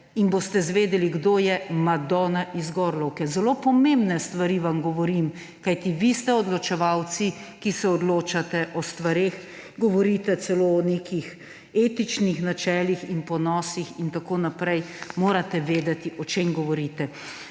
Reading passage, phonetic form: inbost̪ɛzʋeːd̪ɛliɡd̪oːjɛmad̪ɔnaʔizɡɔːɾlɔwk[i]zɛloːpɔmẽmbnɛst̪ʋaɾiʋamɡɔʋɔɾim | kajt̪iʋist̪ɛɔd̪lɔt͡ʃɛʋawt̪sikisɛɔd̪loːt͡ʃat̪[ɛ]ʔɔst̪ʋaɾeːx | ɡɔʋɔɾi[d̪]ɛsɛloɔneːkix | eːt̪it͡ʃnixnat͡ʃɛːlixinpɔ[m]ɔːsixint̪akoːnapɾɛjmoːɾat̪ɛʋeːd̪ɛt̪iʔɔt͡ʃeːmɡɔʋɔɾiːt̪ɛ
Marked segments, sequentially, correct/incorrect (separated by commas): incorrect, correct, incorrect, incorrect